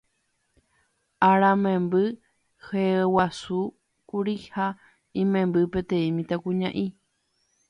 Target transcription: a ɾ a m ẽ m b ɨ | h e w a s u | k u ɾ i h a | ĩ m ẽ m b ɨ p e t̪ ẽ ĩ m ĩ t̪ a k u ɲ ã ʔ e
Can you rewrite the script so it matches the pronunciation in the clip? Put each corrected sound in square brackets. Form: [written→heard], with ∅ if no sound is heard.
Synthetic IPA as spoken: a ɾ a m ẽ m b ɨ | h e w a s u | k u ɾ i h a | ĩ m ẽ m b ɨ p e t̪ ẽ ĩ m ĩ t̪ a k u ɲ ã ʔ [e→i]